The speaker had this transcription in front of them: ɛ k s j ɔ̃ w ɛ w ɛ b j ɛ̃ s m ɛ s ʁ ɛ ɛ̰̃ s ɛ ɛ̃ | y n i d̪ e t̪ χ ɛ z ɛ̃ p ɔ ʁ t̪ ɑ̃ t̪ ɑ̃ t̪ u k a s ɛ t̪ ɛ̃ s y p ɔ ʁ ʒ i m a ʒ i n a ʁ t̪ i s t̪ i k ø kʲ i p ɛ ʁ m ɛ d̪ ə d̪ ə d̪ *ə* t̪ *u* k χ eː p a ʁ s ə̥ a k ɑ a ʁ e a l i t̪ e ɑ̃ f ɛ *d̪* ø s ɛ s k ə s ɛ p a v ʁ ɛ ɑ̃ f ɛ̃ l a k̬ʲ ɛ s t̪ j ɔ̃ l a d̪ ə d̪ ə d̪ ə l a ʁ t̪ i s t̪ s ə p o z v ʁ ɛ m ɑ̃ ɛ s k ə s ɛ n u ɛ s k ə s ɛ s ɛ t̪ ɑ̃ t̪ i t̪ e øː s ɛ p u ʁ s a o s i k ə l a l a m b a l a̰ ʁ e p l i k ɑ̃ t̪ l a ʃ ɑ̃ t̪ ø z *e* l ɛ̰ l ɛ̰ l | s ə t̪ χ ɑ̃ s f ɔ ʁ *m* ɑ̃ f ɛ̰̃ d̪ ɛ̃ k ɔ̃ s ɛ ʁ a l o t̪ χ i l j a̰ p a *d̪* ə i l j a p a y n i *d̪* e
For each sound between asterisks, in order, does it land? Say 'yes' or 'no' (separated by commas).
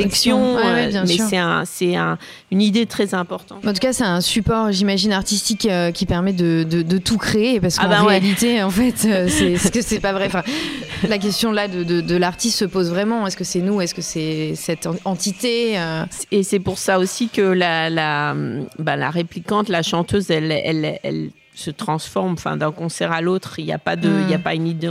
yes, yes, no, no, yes, yes, yes